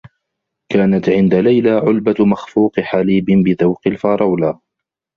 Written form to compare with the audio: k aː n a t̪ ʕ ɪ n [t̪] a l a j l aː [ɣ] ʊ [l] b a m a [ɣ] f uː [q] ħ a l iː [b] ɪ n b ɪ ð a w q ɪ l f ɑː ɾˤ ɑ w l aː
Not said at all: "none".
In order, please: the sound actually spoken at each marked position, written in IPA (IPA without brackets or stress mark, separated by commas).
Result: d̪, ʕ, l, x, q, b